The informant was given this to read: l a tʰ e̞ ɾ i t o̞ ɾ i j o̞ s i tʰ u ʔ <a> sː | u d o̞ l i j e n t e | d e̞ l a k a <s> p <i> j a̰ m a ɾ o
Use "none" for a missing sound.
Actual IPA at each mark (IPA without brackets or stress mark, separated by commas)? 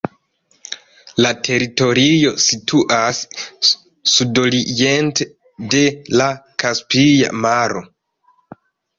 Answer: a, s, i